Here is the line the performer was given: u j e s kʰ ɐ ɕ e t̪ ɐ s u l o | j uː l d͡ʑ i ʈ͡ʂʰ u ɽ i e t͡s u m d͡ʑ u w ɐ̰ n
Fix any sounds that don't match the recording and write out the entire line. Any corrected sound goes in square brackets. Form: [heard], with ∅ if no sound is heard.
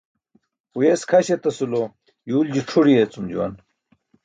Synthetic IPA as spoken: u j e s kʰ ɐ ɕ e t̪ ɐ s u l o | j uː l d͡ʑ i ʈ͡ʂʰ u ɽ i e t͡s u m d͡ʑ u w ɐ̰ n